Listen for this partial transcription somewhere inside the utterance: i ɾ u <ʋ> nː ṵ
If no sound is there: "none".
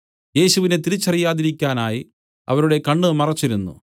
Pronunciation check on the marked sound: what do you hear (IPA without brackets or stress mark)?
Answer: none